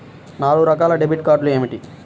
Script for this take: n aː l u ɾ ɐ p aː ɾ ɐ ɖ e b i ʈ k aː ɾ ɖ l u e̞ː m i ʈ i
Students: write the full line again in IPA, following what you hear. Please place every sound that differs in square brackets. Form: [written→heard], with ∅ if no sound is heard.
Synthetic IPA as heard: n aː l u ɾ ɐ [p→k] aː [ɾ→l] ɐ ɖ e b i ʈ k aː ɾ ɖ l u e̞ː m i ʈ i

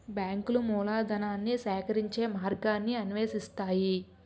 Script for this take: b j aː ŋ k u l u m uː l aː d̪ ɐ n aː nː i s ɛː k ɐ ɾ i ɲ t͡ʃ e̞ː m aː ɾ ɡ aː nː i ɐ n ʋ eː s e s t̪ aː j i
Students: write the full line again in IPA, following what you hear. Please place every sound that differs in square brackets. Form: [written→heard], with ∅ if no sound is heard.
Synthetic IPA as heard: b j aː ŋ k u l u m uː l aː d̪ ɐ n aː nː i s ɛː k ɐ ɾ i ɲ t͡ʃ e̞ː m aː ɾ ɡ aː nː i ɐ n ʋ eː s [e→i] s t̪ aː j i

